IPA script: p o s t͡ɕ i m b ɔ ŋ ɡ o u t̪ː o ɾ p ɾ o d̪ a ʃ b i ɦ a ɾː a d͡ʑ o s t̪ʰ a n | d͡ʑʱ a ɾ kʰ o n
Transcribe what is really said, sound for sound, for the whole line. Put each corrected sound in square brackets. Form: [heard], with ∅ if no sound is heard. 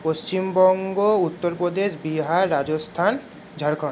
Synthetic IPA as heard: p o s t͡ɕ i m b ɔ ŋ ɡ o u t̪ː o ɾ p ɾ o d̪ [e] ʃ b i ɦ a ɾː a d͡ʑ o s t̪ʰ a n | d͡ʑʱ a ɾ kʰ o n